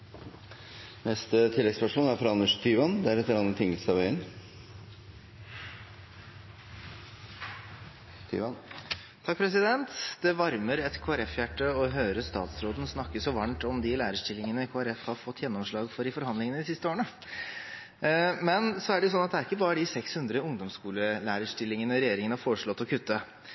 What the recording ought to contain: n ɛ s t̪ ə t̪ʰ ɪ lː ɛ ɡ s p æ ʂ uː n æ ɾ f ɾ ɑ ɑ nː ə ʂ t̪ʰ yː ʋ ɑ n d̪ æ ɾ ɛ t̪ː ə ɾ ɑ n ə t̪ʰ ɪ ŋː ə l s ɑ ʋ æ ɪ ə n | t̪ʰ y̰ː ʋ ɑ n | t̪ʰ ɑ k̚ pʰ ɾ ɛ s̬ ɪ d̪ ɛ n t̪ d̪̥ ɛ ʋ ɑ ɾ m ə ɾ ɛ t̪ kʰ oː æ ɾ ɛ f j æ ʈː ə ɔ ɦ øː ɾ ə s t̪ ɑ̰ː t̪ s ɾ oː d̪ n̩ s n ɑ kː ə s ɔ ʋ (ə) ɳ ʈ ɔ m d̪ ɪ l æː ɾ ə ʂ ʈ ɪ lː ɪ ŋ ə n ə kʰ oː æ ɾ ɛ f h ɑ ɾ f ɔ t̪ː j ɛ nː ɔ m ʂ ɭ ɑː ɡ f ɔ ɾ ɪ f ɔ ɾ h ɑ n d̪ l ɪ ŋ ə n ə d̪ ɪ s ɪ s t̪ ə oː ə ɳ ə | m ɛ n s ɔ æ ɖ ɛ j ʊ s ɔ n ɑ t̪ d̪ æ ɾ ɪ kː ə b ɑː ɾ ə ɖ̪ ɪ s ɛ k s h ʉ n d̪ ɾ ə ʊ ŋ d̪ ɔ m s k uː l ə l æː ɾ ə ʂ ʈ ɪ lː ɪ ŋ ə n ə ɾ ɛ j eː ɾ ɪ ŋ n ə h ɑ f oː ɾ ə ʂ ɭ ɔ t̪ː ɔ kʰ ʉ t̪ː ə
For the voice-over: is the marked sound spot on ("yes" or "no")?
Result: no